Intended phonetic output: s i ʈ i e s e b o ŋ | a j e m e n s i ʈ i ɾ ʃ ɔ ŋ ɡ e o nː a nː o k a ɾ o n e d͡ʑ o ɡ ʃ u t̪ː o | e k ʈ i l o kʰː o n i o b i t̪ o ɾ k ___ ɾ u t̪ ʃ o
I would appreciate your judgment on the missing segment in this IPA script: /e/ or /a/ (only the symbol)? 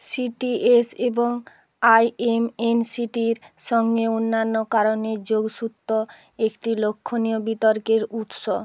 e